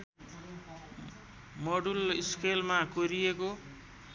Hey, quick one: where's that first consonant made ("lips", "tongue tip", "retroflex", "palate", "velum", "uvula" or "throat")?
lips